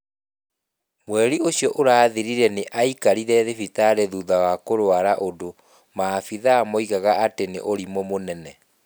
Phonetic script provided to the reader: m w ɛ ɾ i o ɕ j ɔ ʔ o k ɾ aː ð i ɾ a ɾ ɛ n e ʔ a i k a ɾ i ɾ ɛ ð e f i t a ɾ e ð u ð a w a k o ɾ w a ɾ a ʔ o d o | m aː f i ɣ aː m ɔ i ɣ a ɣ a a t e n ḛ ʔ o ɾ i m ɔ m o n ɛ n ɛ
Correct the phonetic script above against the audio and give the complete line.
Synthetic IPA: m w ɛ ɾ i o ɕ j ɔ ʔ o ɾ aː ð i ɾ i ɾ ɛ n e ʔ a i k a ɾ i ɾ ɛ ð e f i t a ɾ e ð u ð a w a k o ɾ w a ɾ a ʔ o d o | m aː f i ð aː m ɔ i ɣ a ɣ a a t e n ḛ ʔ o ɾ i m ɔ m o n ɛ n ɛ